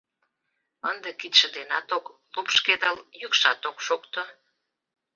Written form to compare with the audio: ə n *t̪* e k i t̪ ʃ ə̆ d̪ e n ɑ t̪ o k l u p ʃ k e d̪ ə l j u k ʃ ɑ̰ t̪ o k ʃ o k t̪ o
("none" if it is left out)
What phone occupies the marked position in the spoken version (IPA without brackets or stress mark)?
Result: d̪